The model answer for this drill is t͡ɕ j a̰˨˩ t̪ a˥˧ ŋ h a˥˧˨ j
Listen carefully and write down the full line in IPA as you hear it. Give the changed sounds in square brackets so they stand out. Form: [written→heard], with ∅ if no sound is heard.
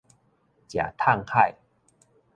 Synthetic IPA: t͡ɕ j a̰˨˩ [t̪→t̪ʰ] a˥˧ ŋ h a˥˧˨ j